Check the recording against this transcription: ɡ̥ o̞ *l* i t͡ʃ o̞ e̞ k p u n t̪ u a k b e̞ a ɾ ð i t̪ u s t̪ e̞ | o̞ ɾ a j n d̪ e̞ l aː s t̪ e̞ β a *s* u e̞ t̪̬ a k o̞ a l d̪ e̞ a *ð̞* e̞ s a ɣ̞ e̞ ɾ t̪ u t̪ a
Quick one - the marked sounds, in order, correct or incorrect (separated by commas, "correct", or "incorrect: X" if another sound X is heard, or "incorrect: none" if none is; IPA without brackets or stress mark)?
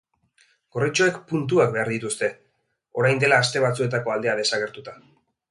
incorrect: r, incorrect: t͡s, correct